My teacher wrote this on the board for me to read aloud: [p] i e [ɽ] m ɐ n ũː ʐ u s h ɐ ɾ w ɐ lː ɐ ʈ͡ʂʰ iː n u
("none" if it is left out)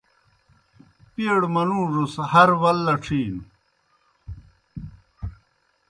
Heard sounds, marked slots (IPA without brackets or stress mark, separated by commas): p, ɽ